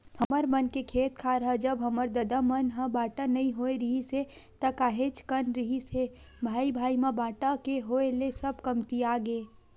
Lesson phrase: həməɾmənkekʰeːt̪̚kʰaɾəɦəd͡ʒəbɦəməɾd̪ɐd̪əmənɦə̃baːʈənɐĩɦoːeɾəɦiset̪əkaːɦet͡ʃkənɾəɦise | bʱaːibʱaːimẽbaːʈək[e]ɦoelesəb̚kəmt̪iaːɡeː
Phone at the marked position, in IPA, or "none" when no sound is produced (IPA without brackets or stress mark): e